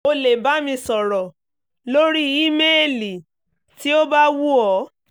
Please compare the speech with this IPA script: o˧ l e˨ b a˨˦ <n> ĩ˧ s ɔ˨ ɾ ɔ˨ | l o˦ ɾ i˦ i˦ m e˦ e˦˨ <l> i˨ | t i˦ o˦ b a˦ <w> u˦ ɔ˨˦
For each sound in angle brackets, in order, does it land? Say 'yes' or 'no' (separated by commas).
no, yes, yes